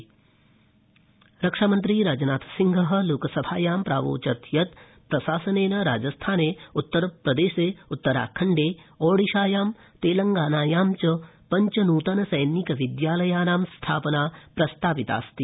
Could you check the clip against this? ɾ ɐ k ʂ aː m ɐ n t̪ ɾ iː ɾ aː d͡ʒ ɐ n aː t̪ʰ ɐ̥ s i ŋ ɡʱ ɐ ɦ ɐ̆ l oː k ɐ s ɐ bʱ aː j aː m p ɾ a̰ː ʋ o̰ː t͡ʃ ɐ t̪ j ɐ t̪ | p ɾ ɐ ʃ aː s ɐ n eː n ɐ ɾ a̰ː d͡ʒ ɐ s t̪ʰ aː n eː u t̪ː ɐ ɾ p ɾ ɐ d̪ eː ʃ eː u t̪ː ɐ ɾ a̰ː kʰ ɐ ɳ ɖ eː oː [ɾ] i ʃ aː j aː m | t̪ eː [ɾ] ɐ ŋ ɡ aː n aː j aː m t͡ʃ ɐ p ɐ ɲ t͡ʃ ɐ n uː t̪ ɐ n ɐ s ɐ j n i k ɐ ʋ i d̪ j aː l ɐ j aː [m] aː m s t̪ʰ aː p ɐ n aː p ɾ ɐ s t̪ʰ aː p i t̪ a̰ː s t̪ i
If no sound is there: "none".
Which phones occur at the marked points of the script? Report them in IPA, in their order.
ɽ, l, n

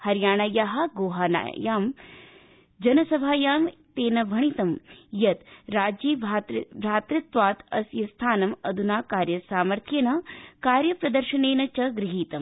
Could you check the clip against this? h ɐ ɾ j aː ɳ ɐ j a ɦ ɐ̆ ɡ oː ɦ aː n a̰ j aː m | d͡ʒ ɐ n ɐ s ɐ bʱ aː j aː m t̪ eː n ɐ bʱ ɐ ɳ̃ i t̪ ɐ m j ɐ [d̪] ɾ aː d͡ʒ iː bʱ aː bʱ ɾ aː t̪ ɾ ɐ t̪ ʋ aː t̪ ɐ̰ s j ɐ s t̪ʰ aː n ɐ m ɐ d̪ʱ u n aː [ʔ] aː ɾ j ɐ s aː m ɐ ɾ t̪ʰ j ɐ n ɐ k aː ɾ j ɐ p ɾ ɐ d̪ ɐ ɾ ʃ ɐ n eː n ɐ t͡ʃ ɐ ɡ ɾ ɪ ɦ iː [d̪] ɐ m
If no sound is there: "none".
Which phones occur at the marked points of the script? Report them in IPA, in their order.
t̪, k, t̪

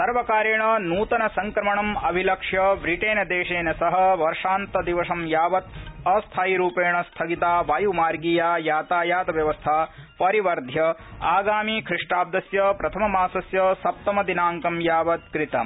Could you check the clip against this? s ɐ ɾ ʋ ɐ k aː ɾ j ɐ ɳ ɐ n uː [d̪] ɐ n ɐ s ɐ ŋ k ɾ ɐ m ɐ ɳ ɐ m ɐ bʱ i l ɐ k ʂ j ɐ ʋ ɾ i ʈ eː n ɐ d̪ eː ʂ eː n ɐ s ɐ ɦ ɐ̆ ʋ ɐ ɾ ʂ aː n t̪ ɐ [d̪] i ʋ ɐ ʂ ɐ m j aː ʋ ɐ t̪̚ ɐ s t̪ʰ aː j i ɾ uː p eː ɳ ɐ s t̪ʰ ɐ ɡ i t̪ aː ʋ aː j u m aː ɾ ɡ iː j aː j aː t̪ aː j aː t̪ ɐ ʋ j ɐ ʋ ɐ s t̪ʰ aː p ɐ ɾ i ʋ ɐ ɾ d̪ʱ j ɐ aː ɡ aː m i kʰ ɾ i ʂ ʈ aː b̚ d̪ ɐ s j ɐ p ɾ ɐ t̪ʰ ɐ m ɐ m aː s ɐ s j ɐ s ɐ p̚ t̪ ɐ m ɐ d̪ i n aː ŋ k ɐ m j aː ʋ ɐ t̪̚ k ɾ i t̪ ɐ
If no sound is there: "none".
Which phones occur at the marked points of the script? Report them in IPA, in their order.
t̪, d̪

